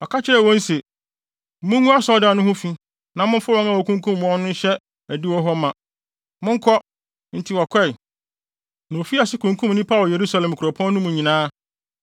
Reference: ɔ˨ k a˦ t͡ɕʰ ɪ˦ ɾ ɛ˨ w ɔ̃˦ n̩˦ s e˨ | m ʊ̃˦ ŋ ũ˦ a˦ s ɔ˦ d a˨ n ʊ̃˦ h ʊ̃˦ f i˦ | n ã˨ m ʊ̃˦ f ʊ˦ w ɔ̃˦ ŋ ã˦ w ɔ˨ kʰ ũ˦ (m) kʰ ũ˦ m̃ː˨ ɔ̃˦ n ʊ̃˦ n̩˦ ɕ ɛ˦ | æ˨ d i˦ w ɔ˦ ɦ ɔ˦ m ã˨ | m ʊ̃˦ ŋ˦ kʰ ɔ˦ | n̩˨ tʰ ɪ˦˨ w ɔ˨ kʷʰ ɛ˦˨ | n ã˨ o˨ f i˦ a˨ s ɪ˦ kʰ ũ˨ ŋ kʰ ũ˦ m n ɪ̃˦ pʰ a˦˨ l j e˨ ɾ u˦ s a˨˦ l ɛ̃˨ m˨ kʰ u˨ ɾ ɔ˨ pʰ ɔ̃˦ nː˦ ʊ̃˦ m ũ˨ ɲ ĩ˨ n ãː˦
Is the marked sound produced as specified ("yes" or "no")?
no